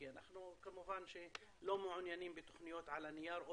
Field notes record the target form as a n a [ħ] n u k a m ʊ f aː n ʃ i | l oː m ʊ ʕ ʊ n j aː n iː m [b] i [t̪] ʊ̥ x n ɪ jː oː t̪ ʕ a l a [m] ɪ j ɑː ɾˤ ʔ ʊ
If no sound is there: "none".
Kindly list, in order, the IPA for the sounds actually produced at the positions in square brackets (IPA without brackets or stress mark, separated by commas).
ħ, b, t̪, n